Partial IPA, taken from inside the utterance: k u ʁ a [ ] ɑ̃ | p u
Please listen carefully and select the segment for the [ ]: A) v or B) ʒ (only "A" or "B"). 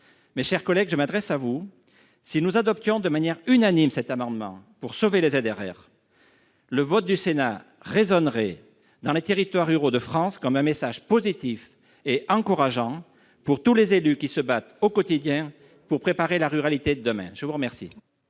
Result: B